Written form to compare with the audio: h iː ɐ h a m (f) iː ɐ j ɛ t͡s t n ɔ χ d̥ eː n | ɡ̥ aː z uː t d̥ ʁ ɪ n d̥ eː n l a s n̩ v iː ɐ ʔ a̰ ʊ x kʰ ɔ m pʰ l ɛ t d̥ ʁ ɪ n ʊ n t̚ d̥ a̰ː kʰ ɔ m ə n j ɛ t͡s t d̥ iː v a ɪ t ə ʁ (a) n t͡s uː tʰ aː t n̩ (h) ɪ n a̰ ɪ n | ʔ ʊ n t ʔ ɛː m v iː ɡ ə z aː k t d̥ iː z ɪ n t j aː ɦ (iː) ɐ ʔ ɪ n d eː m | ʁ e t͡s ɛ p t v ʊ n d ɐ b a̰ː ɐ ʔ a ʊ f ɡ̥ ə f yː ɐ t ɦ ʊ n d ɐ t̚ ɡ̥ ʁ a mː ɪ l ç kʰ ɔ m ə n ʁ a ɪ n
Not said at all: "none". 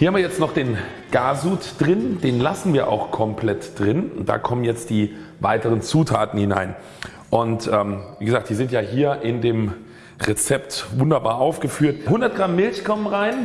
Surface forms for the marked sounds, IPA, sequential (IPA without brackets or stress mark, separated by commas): v, ə, h, iː